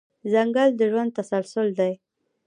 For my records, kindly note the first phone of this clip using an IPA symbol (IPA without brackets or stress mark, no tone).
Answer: z